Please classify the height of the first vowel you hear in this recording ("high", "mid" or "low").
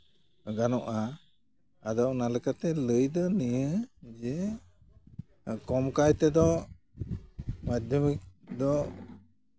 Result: low